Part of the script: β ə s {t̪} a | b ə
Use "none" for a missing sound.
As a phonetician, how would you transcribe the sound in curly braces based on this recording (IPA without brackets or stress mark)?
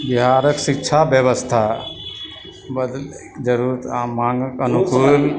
t̪ʰ